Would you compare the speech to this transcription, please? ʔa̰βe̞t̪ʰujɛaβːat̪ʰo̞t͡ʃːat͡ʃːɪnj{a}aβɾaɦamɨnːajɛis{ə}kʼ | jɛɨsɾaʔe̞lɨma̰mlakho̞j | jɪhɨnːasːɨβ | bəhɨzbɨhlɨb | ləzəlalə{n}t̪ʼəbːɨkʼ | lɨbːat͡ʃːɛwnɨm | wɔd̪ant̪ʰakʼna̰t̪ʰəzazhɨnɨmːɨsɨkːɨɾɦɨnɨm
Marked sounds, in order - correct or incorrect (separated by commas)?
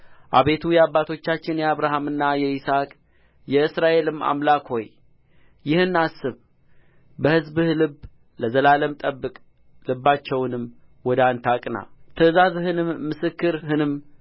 incorrect, incorrect, incorrect